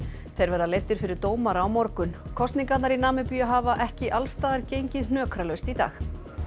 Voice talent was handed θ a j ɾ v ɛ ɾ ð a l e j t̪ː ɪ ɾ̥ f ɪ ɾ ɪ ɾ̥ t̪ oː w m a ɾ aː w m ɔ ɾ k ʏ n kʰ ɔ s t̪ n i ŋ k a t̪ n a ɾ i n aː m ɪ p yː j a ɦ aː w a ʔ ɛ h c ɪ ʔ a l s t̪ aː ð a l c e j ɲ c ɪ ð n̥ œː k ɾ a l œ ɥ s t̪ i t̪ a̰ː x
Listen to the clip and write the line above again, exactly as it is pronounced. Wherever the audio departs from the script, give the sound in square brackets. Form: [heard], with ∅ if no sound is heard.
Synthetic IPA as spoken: θ [e] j ɾ v ɛ ɾ ð a l e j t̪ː ɪ ɾ̥ f ɪ ɾ ɪ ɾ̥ t̪ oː w m a ɾ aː w m ɔ ɾ k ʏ n kʰ ɔ s t̪ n i ŋ k a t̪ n a ɾ i n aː m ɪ p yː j a ɦ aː [v] a ʔ ɛ h c ɪ ʔ a l s t̪ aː ð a [ɾ] c e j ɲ c ɪ ð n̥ œː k ɾ a l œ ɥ s t̪ i t̪ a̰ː x